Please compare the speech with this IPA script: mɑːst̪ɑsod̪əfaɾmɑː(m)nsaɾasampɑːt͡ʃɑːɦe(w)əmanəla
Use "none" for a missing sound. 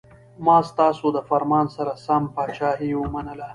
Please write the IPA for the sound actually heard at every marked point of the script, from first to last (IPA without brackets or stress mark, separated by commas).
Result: none, w